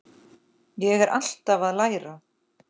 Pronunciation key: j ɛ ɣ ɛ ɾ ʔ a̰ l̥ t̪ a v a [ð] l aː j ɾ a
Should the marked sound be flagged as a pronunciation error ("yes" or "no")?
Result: no